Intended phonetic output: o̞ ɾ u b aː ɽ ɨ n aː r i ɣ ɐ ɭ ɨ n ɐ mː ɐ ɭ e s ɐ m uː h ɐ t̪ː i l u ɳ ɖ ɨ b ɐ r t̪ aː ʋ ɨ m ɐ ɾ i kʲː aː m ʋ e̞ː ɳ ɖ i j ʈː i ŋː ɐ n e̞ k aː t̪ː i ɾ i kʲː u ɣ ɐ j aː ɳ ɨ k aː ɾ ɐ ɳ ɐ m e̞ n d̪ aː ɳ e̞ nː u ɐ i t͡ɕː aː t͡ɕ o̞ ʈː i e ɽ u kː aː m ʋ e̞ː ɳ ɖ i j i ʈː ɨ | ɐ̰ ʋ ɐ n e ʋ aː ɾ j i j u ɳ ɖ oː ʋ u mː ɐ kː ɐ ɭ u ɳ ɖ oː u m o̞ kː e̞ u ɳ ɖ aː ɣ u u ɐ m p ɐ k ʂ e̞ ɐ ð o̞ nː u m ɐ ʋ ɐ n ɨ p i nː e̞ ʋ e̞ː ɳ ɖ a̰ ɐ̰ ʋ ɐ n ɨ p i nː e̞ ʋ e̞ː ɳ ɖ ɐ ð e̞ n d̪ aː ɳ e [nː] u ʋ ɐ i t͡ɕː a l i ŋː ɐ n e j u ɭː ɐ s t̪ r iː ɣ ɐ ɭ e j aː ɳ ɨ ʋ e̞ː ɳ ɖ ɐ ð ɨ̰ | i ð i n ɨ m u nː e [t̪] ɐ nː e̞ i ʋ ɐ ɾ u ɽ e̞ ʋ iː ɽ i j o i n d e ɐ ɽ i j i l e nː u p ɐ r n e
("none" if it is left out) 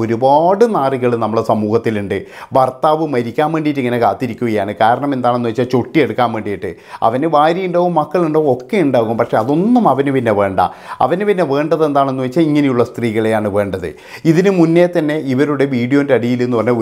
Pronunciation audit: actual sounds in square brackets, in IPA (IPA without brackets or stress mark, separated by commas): nː, t̪